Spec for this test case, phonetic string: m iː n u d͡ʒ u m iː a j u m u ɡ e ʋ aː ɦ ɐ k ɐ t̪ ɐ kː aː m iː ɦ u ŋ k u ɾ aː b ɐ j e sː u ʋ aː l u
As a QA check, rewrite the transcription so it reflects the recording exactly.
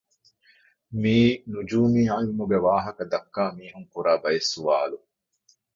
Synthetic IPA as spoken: m iː n u d͡ʒ uː m iː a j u m u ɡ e ʋ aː ɦ ɐ k ɐ d̪ ɐ kː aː m iː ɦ u ŋ k u ɾ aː b ɐ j e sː u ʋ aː l u